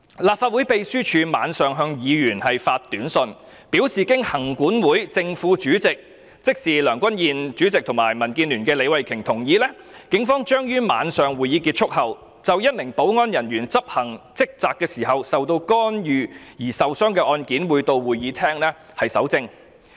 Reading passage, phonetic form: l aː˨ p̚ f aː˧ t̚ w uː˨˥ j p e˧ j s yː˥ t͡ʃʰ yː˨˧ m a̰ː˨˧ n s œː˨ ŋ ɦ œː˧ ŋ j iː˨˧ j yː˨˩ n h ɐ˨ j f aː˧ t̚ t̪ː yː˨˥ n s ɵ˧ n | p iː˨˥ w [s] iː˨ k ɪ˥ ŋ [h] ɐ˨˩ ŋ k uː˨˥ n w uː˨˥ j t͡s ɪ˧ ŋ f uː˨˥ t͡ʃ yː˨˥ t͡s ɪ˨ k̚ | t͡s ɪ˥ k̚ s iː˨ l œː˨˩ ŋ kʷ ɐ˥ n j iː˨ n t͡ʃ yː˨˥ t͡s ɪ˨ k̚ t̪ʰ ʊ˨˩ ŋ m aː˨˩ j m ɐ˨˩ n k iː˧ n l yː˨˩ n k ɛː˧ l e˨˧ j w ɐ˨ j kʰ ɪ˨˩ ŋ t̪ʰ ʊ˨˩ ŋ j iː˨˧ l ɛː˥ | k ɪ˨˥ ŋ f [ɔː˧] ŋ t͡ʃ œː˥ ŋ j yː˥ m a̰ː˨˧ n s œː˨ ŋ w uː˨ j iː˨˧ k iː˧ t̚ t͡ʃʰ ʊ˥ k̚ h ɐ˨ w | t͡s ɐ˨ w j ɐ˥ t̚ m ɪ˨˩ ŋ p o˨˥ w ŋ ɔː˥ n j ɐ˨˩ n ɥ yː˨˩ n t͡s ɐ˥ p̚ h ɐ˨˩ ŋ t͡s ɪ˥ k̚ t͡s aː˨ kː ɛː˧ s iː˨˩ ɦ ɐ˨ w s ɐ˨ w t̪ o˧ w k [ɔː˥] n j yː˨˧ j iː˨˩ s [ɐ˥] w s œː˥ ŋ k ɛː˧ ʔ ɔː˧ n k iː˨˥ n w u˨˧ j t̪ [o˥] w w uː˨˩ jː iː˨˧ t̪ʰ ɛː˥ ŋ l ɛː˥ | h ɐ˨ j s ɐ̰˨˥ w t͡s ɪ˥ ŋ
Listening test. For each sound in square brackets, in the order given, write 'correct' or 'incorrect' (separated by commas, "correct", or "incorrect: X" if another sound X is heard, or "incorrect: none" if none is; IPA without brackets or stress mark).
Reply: correct, correct, incorrect: ɔː˥, correct, incorrect: ɐ˨, incorrect: o˧